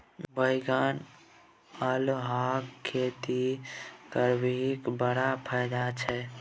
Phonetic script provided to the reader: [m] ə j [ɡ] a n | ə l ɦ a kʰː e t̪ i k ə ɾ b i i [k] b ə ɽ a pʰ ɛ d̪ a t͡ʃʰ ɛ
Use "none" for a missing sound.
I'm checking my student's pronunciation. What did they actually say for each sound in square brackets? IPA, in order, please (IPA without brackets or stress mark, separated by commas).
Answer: b, ɡ, k